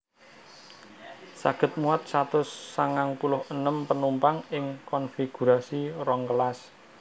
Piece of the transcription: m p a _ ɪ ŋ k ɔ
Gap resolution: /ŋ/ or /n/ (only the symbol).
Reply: ŋ